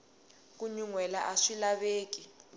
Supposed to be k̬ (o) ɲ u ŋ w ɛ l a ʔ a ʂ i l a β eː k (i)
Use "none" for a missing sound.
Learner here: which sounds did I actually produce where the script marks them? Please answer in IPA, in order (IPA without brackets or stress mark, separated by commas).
u, i